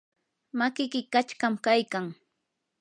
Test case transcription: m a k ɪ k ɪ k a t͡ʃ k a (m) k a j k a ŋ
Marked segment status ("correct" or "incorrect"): correct